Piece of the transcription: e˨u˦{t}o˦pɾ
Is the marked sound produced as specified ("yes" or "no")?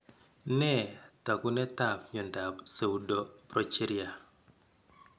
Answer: no